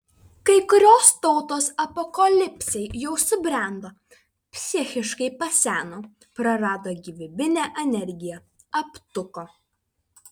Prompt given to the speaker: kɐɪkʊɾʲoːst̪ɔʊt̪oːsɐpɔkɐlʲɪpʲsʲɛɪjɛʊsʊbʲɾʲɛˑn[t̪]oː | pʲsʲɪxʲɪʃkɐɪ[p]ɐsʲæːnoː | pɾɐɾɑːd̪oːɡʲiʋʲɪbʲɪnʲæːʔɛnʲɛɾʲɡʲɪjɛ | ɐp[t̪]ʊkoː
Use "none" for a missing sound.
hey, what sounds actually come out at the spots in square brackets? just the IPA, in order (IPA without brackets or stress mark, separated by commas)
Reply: d̪, p, t̪